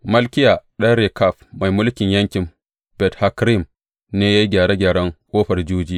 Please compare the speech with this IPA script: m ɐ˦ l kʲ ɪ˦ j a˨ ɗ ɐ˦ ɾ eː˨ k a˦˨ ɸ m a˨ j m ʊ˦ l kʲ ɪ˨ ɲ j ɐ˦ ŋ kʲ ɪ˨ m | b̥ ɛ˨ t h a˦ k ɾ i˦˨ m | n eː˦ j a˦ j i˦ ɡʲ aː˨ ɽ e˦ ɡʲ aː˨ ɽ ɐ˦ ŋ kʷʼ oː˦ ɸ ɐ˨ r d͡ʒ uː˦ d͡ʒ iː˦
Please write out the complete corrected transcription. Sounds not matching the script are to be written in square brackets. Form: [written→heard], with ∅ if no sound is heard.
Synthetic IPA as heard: m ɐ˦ l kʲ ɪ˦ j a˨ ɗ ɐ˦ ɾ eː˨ k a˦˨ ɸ m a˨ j m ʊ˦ l kʲ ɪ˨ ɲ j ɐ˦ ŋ kʲ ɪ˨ m | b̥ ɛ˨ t h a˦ k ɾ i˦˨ m | n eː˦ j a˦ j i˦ ɡʲ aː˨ ɽ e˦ ɡʲ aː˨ ɽ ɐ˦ ŋ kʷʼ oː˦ ɸ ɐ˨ r d͡ʒ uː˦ d͡ʒ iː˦